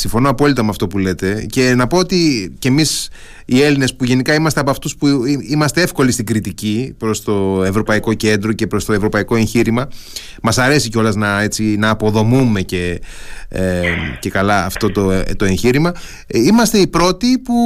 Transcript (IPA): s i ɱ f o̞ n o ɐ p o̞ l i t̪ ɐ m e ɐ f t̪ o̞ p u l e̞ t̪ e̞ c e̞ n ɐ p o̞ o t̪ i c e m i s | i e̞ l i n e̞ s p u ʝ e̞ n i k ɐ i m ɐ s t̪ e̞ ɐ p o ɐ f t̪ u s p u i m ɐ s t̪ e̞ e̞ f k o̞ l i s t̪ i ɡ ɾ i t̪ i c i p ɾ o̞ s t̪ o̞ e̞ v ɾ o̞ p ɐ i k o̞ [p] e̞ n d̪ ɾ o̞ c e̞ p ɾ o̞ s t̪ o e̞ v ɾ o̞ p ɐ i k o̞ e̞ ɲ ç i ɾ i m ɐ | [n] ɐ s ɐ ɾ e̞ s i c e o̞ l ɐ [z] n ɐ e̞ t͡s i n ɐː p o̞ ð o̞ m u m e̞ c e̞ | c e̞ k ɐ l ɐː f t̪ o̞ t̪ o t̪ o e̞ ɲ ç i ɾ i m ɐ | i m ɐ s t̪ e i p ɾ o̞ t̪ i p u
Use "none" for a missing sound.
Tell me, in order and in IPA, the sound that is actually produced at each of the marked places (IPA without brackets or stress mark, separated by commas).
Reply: c, m, z